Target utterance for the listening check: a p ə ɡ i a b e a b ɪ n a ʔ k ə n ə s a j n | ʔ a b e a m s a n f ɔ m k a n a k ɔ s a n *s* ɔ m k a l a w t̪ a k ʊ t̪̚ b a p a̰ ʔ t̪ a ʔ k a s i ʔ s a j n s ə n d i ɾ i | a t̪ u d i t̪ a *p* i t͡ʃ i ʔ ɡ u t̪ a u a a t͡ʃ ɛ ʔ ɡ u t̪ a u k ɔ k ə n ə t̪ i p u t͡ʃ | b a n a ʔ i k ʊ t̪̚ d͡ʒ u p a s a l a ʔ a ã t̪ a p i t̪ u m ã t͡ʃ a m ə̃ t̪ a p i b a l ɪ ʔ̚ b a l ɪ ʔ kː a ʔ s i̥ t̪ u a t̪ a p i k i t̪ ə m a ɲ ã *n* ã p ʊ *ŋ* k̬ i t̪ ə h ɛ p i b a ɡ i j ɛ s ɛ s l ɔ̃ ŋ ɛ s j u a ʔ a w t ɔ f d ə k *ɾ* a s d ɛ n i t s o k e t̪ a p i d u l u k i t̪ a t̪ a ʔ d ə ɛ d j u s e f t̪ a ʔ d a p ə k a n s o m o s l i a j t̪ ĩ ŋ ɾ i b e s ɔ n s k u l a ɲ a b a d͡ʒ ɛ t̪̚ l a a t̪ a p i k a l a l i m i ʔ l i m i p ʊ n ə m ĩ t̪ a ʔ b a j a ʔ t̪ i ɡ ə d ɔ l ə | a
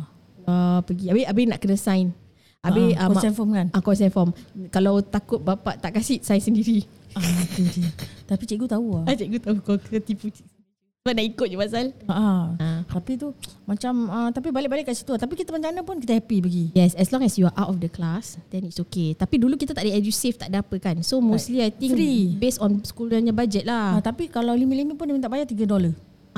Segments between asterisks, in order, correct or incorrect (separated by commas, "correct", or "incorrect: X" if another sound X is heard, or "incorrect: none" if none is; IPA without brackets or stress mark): incorrect: f, correct, correct, incorrect: n, incorrect: l